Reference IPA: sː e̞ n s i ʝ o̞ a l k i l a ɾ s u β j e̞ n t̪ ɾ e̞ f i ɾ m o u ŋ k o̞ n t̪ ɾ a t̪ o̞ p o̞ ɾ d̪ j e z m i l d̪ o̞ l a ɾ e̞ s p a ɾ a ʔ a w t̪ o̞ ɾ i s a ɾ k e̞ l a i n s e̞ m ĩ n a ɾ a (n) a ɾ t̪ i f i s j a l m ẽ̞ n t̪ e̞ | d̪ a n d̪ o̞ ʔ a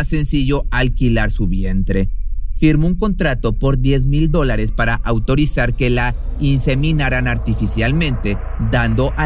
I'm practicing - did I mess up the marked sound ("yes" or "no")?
no